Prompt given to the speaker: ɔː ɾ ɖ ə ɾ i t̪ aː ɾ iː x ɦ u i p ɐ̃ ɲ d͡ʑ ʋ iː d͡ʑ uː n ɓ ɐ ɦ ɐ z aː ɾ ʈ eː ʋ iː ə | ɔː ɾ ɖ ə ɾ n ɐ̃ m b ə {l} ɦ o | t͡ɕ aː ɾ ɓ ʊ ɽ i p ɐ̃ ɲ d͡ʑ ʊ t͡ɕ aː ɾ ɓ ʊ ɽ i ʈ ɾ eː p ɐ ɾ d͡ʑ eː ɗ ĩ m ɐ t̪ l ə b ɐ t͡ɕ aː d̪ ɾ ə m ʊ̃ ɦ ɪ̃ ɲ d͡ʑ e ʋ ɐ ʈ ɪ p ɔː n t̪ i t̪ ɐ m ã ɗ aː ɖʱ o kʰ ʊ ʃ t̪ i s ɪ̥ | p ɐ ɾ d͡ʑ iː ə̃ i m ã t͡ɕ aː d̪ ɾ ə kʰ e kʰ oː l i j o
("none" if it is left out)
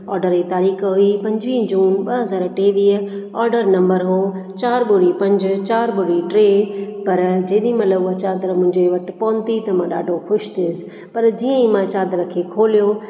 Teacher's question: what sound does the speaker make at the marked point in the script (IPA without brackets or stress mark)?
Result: ɾ